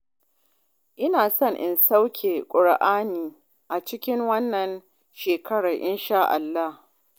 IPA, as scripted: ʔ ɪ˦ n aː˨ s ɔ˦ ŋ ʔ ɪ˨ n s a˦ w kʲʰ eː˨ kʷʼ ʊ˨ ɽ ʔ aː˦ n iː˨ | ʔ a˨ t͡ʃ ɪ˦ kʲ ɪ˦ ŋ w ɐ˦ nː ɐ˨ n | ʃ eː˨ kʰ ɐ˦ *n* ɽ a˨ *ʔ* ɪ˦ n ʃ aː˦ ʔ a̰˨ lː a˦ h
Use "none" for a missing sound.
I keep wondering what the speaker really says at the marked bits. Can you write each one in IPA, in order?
none, ʔ

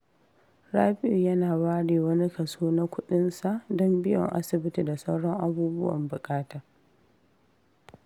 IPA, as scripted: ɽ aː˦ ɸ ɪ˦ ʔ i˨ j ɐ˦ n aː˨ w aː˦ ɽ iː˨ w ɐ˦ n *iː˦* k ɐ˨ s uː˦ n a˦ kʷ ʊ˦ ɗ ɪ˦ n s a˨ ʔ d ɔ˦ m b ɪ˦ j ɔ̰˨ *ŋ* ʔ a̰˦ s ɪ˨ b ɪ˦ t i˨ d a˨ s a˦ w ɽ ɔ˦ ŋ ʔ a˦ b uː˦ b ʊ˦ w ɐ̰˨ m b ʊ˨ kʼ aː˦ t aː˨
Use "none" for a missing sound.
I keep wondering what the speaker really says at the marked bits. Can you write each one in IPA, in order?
i˦, ŋ

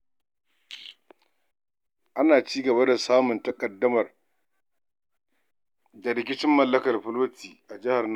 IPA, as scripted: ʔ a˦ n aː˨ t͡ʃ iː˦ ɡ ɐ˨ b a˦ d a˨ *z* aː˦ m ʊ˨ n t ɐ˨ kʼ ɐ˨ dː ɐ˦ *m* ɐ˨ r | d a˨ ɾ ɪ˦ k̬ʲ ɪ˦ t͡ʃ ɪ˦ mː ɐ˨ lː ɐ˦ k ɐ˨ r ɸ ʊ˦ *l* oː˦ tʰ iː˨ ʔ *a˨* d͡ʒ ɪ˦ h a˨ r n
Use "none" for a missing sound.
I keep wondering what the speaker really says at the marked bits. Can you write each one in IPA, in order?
s, m, l, a˨

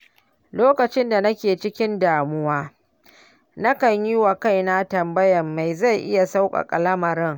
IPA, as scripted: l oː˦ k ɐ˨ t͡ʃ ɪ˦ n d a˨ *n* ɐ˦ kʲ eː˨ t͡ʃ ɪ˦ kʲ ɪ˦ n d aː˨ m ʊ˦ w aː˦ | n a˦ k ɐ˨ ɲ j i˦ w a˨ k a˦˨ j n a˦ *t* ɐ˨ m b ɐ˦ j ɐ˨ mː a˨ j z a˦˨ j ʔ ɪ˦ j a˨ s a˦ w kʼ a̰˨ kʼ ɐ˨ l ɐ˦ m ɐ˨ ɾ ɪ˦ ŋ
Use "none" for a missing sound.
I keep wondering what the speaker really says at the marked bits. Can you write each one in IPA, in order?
n, t

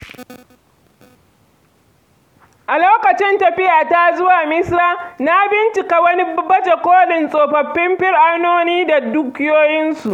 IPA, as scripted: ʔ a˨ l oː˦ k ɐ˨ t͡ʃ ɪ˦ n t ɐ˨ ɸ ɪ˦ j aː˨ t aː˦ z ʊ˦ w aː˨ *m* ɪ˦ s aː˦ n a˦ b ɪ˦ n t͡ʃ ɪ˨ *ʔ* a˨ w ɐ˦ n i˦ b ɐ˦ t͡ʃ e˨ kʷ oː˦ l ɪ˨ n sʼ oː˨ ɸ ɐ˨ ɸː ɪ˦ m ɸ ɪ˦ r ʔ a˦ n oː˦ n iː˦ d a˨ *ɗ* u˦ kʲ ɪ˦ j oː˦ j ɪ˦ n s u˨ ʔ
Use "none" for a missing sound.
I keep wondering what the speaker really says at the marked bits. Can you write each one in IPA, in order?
m, k, d

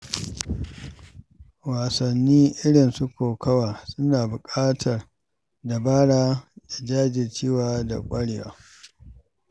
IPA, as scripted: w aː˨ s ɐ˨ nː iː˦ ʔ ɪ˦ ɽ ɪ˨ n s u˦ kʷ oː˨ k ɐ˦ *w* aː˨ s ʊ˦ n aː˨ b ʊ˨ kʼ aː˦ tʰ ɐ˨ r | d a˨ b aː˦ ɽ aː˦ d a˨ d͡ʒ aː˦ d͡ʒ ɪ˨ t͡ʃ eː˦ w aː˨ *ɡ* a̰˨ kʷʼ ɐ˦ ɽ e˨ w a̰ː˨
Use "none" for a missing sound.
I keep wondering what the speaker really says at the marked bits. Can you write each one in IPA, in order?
w, d

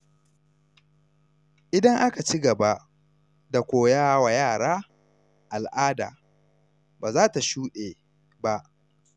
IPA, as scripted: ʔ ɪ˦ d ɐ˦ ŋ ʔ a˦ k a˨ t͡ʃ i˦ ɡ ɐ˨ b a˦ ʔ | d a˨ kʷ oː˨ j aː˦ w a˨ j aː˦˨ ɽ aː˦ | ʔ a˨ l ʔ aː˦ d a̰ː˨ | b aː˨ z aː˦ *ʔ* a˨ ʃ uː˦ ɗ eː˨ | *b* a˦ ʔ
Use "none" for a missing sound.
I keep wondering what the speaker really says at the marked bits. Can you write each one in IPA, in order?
t, b

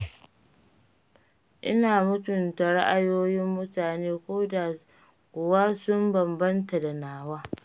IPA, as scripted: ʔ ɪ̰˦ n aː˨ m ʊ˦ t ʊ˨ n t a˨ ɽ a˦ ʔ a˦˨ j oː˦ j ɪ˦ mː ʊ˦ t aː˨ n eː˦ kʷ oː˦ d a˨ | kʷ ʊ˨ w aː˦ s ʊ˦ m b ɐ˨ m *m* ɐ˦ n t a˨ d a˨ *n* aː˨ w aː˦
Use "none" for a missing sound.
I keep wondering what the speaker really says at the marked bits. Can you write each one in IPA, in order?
b, n

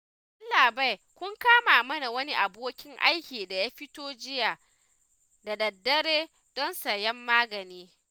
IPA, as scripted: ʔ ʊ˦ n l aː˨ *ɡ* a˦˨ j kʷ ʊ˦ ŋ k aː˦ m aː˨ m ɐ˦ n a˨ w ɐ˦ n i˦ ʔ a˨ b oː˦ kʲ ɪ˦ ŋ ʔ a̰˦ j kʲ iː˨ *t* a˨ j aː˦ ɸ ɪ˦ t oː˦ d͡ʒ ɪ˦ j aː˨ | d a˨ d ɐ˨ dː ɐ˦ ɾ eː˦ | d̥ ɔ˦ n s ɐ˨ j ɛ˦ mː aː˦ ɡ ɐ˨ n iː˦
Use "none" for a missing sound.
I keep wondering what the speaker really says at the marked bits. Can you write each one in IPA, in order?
b, d

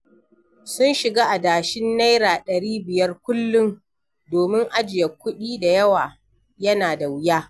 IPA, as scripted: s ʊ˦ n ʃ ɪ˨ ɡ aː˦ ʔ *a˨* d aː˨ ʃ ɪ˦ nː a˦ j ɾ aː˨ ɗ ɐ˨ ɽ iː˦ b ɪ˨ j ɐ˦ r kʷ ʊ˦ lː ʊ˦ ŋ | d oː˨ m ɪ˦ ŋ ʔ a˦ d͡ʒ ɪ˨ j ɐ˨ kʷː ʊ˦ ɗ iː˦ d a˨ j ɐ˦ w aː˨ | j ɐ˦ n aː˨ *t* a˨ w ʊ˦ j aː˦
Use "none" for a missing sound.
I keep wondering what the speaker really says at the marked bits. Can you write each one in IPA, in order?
a˨, d

